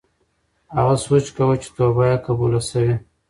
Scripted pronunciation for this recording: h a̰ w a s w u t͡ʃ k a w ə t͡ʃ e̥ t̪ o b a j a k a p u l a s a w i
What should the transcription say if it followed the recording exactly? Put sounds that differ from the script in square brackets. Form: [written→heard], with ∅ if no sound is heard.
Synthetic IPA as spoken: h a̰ [w→ɣ] a s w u t͡ʃ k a w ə t͡ʃ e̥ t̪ o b a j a k a [p→b] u l a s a w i